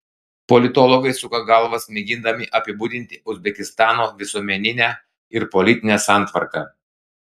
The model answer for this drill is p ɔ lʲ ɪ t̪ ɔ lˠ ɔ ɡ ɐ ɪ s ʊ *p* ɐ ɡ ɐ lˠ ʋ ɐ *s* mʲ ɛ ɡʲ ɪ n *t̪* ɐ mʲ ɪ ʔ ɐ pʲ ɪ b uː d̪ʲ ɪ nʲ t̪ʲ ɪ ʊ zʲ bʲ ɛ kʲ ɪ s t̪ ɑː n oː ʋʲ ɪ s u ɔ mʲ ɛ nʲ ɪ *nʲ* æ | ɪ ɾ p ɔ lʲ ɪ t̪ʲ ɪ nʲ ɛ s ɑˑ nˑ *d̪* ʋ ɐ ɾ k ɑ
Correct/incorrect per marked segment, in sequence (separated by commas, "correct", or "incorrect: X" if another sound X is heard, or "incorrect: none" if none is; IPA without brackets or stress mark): incorrect: k, correct, incorrect: d̪, correct, incorrect: t̪